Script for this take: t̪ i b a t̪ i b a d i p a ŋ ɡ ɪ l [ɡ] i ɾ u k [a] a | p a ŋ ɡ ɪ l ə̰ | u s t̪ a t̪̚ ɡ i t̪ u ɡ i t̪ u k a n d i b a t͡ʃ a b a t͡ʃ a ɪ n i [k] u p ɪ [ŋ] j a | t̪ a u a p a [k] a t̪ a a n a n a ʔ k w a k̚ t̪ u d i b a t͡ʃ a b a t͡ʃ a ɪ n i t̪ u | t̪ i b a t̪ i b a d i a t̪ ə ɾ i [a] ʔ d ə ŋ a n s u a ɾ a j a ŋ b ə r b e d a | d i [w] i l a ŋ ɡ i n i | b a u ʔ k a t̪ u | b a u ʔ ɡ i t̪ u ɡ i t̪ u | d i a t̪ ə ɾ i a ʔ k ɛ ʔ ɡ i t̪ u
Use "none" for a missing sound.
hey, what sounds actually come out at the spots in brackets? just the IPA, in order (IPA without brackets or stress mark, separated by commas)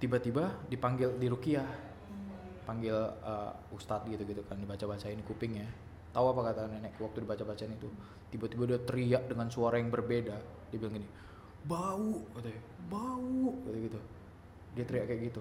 d, i, k, ŋ, k, a, b